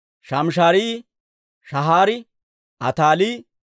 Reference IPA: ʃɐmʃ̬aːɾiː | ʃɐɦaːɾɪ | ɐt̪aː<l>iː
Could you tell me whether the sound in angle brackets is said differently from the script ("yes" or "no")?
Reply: no